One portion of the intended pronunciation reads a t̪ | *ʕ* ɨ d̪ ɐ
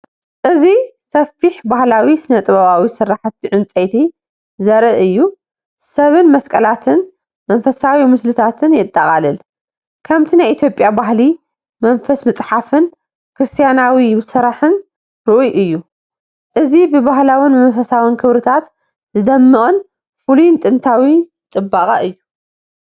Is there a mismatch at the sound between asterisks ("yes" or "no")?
yes